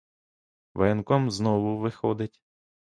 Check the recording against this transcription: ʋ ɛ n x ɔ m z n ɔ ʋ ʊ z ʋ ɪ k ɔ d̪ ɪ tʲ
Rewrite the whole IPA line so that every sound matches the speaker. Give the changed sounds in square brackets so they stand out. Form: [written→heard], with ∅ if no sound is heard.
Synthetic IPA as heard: ʋ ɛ n [x→k] ɔ m z n ɔ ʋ ʊ [z→∅] ʋ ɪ [k→x] ɔ d̪ ɪ tʲ